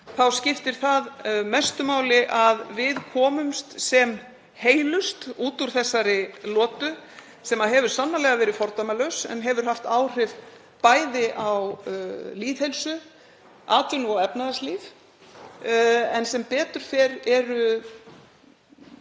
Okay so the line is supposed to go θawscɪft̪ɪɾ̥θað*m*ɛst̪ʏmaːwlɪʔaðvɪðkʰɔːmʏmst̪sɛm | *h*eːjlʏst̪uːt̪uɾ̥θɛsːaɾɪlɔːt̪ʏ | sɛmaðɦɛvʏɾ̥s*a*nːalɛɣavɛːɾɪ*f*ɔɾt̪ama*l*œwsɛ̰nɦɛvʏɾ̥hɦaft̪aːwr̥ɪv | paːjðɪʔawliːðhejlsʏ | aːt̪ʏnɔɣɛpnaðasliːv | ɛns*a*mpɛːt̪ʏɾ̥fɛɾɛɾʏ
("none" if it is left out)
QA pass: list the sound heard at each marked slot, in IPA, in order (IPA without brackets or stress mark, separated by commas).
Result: m, h, a, f, l, ɛ